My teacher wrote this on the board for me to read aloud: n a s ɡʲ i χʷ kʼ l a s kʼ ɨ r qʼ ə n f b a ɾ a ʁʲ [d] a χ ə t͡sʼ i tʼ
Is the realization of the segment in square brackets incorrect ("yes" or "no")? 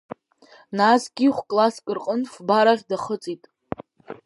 no